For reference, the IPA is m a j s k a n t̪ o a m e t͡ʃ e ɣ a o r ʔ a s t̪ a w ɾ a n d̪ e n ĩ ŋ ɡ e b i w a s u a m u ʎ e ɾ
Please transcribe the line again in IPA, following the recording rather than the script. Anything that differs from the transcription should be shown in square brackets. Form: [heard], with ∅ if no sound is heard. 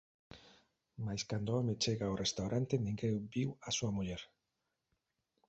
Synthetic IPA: m a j s k a n [d̪] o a m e t͡ʃ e ɣ a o r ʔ [e] s t̪ a w ɾ a n [t̪] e n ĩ ŋ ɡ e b i w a s u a m u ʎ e ɾ